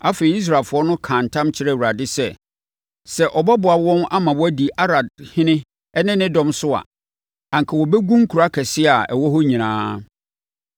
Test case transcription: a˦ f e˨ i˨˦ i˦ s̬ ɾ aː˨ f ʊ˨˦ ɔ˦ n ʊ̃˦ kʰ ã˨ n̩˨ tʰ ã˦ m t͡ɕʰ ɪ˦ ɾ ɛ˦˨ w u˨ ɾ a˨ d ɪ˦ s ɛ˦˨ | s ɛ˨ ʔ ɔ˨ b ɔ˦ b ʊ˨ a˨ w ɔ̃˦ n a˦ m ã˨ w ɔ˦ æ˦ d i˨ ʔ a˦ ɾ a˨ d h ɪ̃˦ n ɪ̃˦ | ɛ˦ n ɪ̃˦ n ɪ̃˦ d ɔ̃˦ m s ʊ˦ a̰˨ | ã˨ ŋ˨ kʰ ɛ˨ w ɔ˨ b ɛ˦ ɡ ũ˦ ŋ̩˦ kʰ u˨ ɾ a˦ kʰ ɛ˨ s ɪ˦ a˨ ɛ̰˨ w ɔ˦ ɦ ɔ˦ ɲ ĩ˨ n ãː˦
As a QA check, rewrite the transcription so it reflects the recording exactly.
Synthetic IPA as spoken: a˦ f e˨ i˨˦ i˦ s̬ ɾ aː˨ f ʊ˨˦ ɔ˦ n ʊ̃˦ kʰ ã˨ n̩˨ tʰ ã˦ m t͡ɕʰ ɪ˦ ɾ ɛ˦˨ w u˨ ɾ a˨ d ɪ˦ s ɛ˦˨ | s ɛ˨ ʔ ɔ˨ b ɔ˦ b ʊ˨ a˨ w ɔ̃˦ n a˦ m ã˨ w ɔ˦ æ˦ d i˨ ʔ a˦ ɾ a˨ d h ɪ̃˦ n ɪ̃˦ | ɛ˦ n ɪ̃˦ n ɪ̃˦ d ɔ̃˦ m s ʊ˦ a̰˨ | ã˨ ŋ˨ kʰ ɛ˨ w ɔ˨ b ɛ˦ ɡ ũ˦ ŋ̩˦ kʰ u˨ ɾ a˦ kʰ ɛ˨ s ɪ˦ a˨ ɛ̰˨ w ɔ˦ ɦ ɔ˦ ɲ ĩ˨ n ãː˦